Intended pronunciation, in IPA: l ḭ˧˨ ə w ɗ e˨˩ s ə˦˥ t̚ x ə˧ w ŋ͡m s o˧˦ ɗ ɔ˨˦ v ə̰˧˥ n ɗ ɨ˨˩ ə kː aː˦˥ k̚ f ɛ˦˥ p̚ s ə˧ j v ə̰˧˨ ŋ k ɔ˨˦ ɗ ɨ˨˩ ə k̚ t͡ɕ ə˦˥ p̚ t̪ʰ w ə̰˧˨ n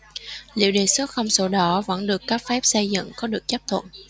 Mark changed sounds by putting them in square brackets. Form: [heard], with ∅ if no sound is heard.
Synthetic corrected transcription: l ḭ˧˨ ə w ɗ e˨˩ s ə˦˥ t̚ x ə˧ w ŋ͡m s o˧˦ ɗ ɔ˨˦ v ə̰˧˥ n ɗ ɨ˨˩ ə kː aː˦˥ k̚ f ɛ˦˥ p̚ s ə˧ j [z] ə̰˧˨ ŋ k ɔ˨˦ ɗ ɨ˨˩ ə k̚ t͡ɕ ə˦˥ p̚ t̪ʰ w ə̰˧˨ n